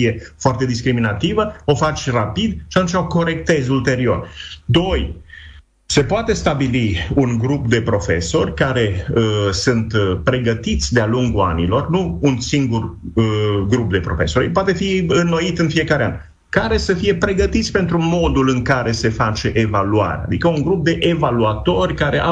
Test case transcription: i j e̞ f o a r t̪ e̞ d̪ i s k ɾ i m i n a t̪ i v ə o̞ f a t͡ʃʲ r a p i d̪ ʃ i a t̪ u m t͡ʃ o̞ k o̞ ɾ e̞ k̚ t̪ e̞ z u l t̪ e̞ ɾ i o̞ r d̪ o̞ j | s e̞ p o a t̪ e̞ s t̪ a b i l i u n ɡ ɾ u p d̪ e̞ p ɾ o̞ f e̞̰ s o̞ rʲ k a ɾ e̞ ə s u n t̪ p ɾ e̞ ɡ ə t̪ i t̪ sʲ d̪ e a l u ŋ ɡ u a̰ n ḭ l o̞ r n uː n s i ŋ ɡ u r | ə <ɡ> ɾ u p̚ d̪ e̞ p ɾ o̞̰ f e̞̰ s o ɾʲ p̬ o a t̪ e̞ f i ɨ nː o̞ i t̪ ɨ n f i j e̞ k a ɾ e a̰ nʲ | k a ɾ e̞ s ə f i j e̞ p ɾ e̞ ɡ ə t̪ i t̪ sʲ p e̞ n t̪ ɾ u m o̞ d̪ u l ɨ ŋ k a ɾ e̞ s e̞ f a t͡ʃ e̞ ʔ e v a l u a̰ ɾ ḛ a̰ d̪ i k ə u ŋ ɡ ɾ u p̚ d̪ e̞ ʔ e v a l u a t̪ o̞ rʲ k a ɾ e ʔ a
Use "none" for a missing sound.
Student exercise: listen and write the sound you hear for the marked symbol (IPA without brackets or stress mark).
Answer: ɡ